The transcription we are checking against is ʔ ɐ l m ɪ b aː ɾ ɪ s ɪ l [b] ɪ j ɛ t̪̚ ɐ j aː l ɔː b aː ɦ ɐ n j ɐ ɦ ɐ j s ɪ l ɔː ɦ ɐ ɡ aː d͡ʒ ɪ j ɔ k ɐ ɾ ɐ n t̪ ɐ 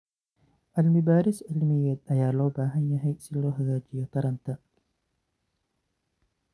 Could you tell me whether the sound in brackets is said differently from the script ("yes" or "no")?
yes